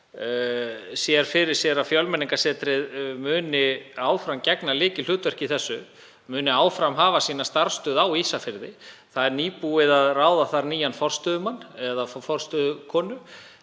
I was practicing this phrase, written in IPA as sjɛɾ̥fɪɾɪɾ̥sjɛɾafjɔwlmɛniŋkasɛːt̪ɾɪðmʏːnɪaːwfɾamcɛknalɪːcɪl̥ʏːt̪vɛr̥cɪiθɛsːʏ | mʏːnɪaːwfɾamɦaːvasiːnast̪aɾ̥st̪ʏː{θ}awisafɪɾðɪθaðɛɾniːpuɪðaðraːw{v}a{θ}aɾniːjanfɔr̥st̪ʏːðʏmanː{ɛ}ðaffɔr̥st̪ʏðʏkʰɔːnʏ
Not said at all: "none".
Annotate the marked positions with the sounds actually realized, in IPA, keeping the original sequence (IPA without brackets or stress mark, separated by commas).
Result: ð, ð, θ, ɛ